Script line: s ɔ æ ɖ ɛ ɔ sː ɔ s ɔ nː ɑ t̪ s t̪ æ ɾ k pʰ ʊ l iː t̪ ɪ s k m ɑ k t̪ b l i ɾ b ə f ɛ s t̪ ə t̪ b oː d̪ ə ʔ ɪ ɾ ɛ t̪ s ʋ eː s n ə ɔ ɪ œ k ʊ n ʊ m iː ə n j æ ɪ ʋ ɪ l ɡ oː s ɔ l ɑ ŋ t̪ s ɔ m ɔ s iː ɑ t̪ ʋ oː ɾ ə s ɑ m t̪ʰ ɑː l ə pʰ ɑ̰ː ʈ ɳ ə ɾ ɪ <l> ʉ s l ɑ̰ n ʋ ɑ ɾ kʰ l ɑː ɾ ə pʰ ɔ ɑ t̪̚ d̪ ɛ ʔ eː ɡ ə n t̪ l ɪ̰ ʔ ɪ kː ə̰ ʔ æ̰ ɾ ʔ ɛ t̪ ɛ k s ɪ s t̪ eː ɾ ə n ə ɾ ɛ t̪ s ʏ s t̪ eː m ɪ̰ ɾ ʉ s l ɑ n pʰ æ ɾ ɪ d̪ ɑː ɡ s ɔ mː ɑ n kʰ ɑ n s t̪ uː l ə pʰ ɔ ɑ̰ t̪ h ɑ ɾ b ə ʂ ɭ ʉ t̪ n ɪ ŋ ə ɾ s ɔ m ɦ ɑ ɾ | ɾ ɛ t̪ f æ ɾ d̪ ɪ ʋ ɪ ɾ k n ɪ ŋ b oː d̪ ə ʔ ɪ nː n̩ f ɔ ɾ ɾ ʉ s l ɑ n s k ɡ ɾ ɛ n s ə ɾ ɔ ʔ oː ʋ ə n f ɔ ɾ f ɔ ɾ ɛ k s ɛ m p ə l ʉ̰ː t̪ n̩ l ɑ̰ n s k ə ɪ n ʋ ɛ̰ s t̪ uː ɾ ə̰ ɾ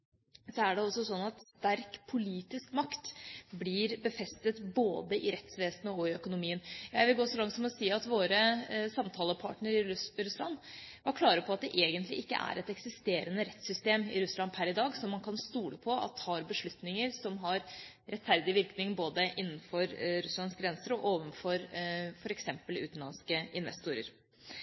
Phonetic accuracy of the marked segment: incorrect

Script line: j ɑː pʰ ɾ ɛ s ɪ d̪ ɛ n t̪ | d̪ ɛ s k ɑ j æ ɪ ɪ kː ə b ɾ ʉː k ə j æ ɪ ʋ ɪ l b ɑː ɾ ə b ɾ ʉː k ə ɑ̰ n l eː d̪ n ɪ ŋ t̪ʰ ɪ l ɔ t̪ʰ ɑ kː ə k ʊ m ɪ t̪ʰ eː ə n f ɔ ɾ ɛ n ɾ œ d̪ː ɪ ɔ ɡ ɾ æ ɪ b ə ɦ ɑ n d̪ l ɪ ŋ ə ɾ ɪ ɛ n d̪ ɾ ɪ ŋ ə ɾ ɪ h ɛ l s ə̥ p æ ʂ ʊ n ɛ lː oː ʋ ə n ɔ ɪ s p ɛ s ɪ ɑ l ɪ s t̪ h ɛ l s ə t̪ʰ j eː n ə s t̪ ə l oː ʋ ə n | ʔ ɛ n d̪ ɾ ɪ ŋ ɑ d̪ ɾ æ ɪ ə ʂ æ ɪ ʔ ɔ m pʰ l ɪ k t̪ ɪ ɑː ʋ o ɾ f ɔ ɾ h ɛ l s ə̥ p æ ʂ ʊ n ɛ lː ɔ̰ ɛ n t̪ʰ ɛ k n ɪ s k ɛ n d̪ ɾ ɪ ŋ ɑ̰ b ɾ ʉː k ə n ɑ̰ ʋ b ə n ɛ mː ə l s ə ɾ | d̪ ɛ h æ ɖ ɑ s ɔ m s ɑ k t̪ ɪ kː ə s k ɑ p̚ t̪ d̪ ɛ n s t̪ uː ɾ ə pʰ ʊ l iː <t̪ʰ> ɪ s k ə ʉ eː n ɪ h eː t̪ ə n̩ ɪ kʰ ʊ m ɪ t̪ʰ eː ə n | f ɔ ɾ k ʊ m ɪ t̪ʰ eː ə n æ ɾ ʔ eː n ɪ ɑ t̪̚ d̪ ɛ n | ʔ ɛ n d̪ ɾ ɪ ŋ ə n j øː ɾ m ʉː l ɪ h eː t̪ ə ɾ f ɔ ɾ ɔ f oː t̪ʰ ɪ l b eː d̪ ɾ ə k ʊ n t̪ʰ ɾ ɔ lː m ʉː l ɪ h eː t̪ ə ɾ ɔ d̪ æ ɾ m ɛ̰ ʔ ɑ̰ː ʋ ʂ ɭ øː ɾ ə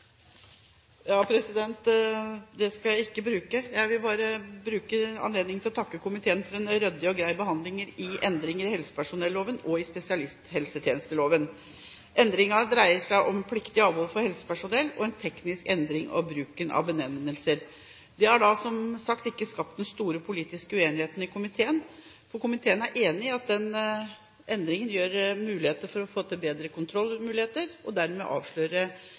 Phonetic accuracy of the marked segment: incorrect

